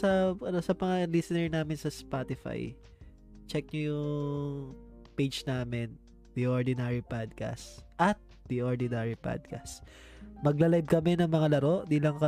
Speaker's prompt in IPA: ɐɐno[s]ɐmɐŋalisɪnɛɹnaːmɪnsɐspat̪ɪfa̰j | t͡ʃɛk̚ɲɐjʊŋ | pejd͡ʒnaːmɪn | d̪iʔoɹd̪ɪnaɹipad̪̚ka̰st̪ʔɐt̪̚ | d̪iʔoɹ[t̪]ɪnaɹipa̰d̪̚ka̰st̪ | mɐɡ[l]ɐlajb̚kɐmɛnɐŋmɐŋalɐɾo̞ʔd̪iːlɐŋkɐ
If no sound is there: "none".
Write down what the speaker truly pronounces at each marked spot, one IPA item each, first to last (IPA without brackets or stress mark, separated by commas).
s, d̪, l